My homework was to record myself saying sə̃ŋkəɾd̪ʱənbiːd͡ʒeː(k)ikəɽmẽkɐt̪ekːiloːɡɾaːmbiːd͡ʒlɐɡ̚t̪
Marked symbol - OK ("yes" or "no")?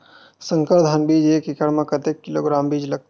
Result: yes